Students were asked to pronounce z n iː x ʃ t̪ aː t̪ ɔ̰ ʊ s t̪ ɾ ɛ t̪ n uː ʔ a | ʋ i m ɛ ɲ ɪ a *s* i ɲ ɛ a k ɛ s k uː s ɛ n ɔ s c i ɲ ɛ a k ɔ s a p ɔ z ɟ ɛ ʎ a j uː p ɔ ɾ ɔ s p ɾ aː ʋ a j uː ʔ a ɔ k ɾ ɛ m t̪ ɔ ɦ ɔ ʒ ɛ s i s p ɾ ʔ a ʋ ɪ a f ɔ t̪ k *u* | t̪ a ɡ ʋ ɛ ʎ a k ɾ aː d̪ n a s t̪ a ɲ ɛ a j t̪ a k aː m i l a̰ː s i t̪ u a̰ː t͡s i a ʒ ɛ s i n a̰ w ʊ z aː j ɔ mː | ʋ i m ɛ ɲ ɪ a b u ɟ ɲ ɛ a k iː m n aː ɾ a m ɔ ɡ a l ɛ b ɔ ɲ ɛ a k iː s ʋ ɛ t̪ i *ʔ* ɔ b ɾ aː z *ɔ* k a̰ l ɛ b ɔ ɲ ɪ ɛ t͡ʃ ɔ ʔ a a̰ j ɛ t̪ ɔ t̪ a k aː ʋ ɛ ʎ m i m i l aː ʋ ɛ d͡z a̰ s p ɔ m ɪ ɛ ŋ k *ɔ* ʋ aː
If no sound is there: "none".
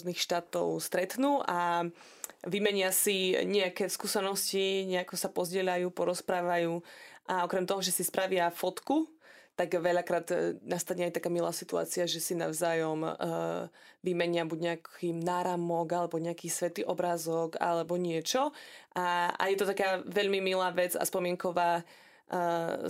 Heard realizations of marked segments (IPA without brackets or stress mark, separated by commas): s, u, ʔ, ɔ, ɔ